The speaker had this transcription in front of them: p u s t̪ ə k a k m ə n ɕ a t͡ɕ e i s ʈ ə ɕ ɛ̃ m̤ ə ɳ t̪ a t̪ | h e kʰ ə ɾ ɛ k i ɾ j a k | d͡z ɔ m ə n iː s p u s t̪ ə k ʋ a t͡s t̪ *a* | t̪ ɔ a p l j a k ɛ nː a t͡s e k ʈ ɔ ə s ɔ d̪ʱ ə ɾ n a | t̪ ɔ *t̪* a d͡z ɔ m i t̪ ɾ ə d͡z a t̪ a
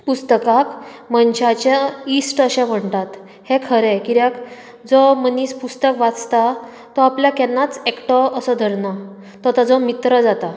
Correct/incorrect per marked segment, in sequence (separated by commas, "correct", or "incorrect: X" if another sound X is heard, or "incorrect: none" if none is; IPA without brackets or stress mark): correct, correct